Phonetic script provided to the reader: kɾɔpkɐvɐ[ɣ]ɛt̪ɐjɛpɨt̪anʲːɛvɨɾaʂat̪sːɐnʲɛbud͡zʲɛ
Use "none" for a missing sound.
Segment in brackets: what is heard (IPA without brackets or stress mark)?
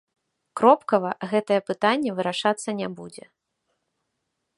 ɣ